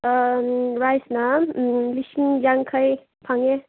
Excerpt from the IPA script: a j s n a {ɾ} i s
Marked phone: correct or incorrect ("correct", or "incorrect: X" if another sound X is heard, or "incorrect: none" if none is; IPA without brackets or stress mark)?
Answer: incorrect: l